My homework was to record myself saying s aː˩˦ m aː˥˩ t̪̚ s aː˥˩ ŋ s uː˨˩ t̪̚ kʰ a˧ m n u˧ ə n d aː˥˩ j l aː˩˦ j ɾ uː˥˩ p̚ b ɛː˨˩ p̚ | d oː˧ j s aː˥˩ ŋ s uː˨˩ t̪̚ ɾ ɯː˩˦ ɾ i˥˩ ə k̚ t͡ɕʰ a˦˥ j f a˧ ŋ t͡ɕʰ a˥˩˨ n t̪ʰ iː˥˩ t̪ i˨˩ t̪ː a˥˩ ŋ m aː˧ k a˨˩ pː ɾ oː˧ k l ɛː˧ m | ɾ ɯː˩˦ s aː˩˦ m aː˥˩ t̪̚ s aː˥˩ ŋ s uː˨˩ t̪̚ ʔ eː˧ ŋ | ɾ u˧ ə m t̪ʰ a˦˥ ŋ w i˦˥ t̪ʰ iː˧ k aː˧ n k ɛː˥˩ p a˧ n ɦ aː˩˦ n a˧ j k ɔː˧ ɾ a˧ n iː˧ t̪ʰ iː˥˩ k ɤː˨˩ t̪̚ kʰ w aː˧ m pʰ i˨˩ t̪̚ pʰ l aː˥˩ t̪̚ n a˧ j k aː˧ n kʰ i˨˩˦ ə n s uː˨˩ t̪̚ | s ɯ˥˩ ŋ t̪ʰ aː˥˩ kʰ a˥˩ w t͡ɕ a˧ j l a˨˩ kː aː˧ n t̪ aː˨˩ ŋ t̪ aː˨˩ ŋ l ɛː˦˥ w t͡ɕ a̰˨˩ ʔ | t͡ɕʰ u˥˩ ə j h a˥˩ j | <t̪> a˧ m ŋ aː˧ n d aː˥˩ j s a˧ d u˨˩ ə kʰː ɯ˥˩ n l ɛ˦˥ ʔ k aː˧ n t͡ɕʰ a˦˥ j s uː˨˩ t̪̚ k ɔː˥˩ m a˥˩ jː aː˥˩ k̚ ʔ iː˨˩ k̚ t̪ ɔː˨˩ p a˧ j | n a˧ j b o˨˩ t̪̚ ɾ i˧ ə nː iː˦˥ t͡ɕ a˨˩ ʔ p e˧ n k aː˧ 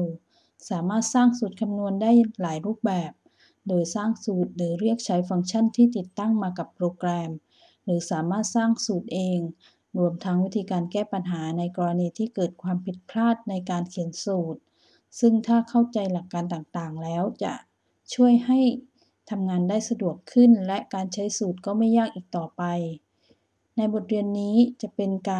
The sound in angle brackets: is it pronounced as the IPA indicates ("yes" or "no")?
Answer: no